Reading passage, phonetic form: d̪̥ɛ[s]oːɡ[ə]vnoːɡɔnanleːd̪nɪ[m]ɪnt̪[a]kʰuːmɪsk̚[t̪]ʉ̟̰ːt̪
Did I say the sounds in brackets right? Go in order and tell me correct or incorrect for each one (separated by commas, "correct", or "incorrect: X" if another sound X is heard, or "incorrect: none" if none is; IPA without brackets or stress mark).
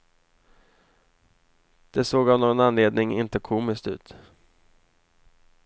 correct, incorrect: a, incorrect: ŋ, incorrect: ə, correct